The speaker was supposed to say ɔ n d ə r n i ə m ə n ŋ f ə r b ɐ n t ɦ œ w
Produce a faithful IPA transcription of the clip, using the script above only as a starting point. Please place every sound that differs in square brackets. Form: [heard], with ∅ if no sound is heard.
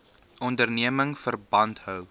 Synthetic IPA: ɔ n d ə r n i ə m ə [∅] ŋ f ə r b ɐ n t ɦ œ w